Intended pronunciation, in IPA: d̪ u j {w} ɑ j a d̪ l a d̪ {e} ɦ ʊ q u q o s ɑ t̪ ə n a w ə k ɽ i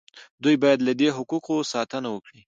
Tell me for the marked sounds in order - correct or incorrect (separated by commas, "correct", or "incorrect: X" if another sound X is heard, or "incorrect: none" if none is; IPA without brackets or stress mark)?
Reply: incorrect: b, correct